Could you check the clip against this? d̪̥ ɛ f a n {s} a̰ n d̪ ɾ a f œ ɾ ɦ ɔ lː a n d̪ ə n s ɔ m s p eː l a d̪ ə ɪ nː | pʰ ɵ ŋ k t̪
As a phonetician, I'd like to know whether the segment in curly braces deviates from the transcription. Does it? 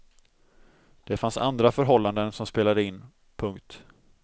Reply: no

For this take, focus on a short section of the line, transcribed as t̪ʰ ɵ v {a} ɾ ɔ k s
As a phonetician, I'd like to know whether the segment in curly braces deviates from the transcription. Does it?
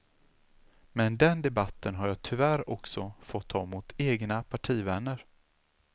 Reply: yes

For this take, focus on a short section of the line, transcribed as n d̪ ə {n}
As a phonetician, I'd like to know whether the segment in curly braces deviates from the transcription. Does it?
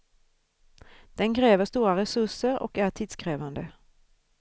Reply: yes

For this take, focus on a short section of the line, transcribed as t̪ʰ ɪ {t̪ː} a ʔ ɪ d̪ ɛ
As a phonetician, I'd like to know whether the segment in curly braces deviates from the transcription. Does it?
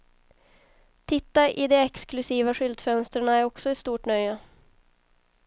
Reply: no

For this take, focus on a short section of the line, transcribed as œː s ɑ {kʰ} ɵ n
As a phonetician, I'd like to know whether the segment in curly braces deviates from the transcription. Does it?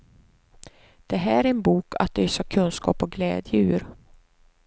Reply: no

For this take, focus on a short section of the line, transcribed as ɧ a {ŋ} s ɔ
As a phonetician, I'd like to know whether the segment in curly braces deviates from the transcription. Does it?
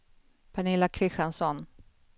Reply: yes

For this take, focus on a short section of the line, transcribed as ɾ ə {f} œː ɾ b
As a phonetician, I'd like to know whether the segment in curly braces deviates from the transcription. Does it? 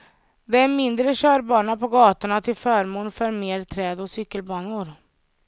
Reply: yes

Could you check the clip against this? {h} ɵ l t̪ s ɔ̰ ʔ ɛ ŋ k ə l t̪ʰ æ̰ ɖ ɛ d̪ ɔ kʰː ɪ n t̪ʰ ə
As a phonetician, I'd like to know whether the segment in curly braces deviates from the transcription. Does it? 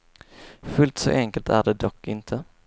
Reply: yes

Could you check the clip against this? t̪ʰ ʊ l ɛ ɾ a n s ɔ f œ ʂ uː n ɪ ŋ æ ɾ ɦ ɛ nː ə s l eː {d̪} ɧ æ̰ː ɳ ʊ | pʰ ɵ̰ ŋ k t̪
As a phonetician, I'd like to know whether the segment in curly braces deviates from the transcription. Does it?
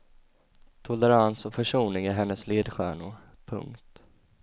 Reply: no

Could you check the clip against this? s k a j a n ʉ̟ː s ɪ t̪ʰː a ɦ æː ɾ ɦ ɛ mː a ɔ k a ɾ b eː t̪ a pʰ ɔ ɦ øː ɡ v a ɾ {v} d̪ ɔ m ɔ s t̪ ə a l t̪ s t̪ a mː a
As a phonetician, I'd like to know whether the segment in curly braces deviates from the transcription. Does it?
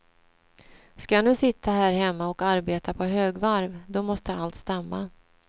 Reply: no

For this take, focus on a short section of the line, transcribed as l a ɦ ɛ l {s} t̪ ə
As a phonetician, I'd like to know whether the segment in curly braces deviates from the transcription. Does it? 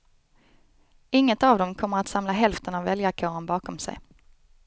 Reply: yes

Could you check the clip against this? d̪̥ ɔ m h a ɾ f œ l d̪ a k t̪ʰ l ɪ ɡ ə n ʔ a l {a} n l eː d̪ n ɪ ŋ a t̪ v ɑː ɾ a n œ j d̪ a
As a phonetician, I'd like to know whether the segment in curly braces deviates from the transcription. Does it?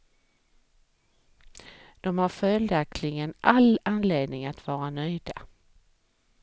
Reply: no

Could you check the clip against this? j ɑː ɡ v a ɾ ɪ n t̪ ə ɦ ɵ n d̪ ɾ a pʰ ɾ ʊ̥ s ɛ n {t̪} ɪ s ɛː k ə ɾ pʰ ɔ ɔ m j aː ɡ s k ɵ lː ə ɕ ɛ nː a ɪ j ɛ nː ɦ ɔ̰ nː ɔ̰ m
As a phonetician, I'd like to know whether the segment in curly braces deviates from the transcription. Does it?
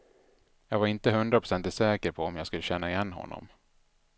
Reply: no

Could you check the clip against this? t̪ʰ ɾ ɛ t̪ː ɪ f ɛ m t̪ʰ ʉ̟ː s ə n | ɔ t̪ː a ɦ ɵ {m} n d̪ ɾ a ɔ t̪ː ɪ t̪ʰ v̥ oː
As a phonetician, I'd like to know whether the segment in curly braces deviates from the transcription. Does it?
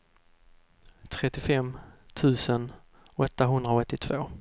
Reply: yes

